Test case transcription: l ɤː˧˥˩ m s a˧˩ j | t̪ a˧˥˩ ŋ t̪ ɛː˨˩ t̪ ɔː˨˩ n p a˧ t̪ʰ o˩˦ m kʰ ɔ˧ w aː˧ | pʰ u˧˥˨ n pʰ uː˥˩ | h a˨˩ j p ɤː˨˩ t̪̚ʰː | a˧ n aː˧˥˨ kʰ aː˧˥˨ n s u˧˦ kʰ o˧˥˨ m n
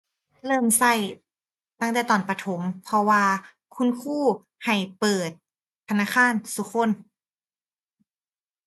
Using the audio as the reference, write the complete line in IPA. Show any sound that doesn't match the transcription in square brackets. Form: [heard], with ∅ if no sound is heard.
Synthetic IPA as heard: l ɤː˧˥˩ m s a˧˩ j | t̪ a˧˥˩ ŋ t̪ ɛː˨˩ t̪ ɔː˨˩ n p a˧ t̪ʰ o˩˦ m [pʰ] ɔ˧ w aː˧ | [kʰ] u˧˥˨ n [kʰ] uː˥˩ | h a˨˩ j p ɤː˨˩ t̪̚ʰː | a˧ n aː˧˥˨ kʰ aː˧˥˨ n s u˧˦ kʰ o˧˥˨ [∅] n